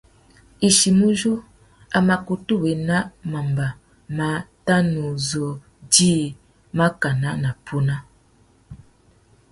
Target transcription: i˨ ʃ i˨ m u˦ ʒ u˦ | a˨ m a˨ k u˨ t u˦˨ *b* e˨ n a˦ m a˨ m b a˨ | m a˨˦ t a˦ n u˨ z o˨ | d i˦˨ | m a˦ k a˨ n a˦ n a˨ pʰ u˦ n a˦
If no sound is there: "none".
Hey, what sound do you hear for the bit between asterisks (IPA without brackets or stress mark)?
w